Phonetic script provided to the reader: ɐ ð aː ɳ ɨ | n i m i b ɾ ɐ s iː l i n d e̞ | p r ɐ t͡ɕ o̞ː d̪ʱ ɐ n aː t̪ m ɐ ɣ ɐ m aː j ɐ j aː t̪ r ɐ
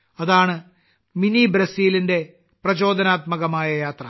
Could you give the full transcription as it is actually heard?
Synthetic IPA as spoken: ɐ ð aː ɳ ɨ | m i n i b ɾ ɐ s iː l i n d e̞ | p r ɐ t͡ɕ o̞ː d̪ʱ ɐ n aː t̪ m ɐ ɣ ɐ m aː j ɐ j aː t̪ r ɐ